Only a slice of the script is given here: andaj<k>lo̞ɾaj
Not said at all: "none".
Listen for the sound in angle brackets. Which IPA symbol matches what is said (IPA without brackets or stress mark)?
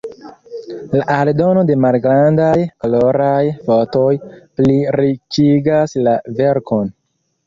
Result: k